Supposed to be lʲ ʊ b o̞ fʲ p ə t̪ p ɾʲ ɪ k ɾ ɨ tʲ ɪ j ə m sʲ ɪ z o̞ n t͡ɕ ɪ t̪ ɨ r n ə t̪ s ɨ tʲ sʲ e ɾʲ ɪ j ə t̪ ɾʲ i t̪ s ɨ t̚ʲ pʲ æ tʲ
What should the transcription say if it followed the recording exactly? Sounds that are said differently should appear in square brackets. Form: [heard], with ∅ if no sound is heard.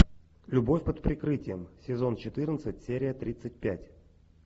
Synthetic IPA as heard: lʲ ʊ b o̞ fʲ p ə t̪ p ɾʲ ɪ k ɾ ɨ tʲ ɪ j ə m sʲ ɪ z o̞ n t͡ɕ ɪ t̪ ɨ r n ə t̪ s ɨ tʲ sʲ e ɾʲ ɪ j ə t̪ ɾʲ i t̪ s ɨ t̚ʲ pʲ æ tʲ